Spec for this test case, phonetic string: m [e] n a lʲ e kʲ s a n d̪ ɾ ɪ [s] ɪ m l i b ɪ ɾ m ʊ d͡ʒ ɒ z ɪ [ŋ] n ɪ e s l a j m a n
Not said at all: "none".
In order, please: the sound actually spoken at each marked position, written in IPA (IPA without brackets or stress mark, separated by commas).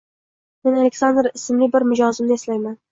e, s, m